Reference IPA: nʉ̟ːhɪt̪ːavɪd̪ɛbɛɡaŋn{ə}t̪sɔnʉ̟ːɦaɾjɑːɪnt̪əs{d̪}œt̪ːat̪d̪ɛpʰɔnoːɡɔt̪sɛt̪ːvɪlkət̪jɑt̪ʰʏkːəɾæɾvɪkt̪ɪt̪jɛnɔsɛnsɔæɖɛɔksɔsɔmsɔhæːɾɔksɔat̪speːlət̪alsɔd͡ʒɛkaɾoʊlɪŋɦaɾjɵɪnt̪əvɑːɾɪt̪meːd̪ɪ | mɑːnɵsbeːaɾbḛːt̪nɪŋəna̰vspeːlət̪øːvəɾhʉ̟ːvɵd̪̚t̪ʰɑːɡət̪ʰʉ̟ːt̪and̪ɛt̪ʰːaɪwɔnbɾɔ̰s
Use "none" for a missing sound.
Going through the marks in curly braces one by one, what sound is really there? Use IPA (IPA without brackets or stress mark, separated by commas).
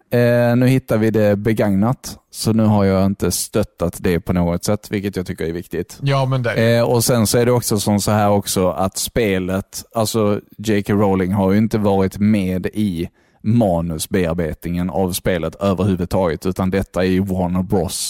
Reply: a, t̪